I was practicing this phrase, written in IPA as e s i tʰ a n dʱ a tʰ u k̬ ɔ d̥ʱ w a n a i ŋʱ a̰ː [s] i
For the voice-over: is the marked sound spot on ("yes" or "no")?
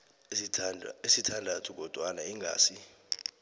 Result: yes